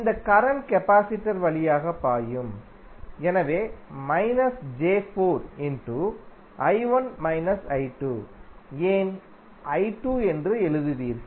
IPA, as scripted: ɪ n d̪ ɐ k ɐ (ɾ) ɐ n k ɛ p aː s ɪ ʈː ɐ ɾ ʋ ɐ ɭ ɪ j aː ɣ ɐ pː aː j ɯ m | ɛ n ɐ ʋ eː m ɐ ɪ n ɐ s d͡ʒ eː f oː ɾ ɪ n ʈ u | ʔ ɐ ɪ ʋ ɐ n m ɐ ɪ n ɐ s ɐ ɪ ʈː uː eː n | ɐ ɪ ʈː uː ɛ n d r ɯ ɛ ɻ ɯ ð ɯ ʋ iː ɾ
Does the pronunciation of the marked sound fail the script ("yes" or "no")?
no